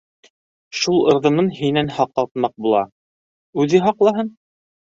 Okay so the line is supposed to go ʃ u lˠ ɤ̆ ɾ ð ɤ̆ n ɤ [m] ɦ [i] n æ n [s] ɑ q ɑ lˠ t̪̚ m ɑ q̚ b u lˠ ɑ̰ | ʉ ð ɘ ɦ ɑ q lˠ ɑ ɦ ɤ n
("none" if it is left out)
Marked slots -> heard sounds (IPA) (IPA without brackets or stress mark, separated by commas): n, i, h